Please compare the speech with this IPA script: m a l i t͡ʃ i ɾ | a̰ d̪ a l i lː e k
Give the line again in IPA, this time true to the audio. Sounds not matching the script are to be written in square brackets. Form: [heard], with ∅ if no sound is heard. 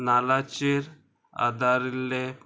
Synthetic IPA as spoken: [n] a l [a] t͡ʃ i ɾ | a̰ d̪ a [ɾ] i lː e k